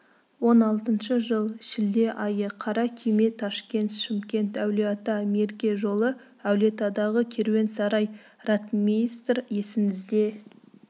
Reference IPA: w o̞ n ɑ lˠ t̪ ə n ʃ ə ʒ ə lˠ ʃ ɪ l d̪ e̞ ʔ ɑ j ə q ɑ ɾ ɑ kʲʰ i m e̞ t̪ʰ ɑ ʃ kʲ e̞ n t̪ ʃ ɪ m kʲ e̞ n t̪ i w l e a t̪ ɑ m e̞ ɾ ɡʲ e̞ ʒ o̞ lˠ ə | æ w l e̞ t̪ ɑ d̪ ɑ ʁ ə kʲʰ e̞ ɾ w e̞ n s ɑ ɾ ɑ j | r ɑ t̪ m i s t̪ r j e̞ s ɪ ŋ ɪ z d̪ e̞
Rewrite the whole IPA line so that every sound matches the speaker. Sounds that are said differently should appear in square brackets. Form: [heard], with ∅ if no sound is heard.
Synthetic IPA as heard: w o̞ n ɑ lˠ t̪ ə n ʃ ə ʒ ə lˠ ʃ ɪ l d̪ e̞ ʔ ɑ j ə [qʰ] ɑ ɾ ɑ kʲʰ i m e̞ t̪ʰ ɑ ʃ kʲ e̞ n t̪ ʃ ɪ m kʲ e̞ n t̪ [æ] w l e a t̪ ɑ m e̞ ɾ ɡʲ e̞ ʒ o̞ lˠ ə | æ w l e̞ t̪ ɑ d̪ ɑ ʁ ə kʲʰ e̞ ɾ w e̞ n s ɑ ɾ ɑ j | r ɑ t̪ m i s t̪ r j e̞ s ɪ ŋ ɪ z d̪ e̞

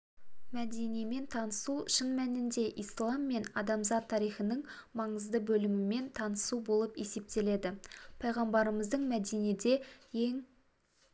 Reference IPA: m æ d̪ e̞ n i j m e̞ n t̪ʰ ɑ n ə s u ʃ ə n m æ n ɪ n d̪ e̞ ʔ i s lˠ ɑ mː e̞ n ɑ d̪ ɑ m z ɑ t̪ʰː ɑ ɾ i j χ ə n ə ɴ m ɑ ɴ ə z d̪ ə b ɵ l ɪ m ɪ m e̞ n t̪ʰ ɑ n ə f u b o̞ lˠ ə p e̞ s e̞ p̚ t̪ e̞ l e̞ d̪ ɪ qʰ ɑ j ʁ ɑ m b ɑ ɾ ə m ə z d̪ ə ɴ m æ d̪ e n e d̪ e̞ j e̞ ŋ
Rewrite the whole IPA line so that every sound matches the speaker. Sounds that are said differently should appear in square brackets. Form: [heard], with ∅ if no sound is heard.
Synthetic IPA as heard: m æ d̪ e̞ n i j m e̞ n t̪ʰ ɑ n ə s u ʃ ə n m æ n ɪ n d̪ e̞ ʔ i s lˠ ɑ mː e̞ n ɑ d̪ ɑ m z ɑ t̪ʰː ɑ ɾ i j χ ə n ə ɴ m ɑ ɴ ə z d̪ ə b ɵ l ɪ m ɪ m e̞ n t̪ʰ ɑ n ə [s] u b o̞ lˠ ə p e̞ s e̞ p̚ t̪ e̞ l e̞ d̪ ɪ [pʰ] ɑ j ʁ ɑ m b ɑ ɾ ə m ə z d̪ ə ɴ m æ d̪ e n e d̪ e̞ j e̞ ŋ

